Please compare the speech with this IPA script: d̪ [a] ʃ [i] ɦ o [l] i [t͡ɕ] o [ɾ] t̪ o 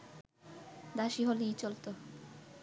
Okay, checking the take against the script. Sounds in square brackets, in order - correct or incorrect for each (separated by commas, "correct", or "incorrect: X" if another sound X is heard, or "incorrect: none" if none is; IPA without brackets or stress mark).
correct, correct, correct, correct, incorrect: l